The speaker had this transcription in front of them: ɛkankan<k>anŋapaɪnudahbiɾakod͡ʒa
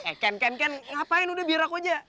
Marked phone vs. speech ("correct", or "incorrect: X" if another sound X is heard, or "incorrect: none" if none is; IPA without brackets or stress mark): correct